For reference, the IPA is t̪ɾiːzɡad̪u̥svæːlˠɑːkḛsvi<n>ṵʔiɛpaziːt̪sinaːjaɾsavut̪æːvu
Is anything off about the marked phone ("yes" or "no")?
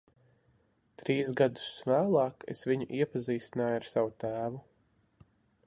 yes